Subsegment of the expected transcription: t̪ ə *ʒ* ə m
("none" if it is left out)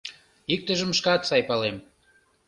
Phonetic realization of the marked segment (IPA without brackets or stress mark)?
ʒ